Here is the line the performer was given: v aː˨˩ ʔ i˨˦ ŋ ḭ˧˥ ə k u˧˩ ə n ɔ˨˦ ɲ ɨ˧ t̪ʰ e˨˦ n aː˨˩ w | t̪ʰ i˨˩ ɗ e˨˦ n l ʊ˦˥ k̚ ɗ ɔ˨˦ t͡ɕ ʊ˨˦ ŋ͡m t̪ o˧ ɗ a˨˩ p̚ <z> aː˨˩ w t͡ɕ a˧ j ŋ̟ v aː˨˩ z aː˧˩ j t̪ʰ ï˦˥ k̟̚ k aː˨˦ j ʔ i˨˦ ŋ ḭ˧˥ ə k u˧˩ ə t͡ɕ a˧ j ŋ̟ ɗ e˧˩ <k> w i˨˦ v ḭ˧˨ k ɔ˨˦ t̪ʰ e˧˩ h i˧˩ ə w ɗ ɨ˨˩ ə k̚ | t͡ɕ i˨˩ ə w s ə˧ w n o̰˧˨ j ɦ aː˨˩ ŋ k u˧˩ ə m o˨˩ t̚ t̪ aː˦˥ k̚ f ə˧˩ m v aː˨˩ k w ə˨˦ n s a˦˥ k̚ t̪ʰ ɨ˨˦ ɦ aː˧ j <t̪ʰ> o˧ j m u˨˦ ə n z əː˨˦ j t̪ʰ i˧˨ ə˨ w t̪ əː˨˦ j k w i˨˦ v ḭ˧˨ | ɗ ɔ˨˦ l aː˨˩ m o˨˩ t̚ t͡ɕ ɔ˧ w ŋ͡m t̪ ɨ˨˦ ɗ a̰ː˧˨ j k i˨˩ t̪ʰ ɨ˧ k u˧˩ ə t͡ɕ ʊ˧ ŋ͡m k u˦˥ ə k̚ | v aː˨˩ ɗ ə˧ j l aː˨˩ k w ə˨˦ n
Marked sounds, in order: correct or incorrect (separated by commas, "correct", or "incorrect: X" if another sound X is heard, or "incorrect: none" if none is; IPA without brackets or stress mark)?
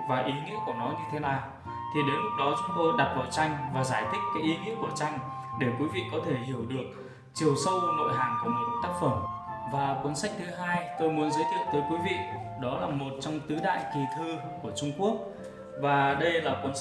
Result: incorrect: v, correct, incorrect: t̪